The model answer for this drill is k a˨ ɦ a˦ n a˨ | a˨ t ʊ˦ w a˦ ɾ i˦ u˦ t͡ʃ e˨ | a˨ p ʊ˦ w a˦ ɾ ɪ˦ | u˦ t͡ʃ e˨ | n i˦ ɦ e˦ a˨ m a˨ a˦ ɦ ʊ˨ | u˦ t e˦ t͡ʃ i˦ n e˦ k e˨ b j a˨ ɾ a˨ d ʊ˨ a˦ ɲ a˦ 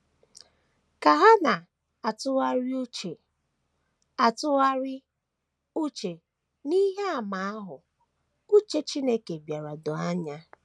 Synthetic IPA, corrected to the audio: k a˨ ɦ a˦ n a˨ | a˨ t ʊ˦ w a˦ ɾ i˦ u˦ t͡ʃ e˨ | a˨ t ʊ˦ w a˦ ɾ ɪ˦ | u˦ t͡ʃ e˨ | n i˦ ɦ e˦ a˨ m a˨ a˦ ɦ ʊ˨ | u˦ t͡ʃ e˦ t͡ʃ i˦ n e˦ k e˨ b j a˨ ɾ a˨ d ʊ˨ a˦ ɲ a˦